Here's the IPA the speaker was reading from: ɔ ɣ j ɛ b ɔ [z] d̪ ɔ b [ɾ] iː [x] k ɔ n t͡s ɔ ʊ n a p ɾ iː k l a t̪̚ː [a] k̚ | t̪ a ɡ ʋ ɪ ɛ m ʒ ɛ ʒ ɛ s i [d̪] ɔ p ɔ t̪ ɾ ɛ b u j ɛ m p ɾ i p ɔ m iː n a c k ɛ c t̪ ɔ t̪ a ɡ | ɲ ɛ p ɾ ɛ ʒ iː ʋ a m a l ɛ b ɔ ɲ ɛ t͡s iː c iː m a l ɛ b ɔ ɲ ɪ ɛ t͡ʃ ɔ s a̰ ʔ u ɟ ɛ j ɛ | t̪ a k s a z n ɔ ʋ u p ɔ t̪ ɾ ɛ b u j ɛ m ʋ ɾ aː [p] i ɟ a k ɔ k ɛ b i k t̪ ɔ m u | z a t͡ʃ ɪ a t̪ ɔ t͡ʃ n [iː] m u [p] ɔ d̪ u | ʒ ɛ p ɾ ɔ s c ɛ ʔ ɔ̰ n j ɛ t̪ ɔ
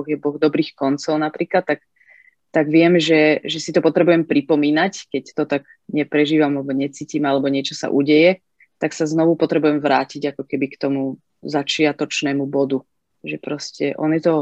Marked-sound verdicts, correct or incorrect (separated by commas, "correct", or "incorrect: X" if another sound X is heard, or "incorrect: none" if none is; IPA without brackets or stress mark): incorrect: ɣ, correct, correct, correct, incorrect: t̪, incorrect: c, incorrect: ɛː, incorrect: b